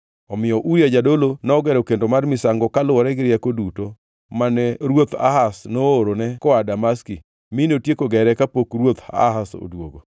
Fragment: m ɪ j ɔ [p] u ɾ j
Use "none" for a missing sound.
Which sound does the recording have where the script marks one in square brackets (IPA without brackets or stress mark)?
ʔ